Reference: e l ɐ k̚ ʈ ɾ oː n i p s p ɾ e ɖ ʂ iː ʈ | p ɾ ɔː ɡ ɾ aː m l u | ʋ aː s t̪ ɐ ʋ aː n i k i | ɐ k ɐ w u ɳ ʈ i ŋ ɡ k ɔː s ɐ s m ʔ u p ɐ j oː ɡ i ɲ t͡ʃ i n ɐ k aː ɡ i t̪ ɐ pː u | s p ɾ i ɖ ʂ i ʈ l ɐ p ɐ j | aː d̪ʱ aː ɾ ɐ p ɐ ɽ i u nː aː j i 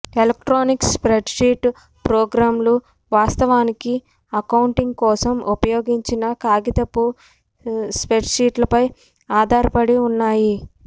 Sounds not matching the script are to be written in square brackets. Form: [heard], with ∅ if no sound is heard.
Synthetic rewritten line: e l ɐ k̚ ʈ ɾ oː n i [k] s p ɾ e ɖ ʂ iː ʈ | p ɾ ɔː ɡ ɾ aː m l u | ʋ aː s t̪ ɐ ʋ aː n i k i | ɐ k ɐ w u ɳ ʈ i ŋ ɡ k ɔː s ɐ [∅] m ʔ u p ɐ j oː ɡ i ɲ t͡ʃ i n ɐ k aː ɡ i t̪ ɐ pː u | s p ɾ [e] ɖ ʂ [iː] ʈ l ɐ p ɐ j | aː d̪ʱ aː ɾ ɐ p ɐ ɽ i u nː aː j i